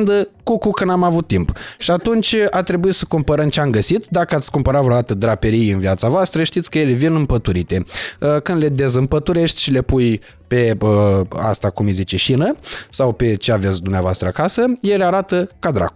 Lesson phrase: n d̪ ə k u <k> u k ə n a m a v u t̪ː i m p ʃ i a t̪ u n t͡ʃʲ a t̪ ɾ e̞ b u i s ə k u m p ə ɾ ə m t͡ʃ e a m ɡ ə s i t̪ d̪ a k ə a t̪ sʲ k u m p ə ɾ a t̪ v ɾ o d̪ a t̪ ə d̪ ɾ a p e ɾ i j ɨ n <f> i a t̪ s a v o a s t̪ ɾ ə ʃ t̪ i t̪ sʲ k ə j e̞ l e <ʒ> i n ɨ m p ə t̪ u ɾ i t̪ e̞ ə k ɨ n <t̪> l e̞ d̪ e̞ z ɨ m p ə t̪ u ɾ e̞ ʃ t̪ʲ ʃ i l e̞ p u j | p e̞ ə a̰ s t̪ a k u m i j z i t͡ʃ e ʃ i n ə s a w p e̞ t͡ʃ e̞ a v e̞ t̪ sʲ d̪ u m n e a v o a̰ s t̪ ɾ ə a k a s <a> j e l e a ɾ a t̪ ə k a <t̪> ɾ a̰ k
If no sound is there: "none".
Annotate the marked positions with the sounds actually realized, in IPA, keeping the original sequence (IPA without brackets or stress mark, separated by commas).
k, v, v, d̪, ə, d̪